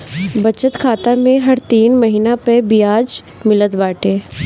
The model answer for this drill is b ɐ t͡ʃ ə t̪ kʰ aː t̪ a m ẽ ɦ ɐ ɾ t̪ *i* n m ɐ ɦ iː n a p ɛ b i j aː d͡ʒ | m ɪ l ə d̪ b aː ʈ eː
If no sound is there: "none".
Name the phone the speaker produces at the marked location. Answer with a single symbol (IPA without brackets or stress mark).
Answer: iː